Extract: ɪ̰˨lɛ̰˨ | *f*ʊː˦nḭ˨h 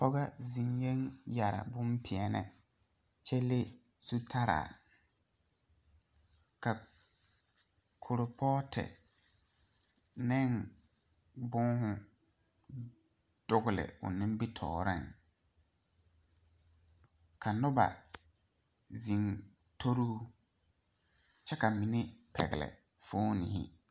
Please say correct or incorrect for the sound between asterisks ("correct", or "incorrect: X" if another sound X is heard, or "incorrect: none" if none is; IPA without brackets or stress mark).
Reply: correct